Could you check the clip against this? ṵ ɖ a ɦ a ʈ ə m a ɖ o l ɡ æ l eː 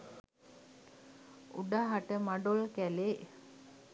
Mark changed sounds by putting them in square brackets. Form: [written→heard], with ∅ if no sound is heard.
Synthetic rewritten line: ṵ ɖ a ɦ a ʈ ə m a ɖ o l [ɡ→k] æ l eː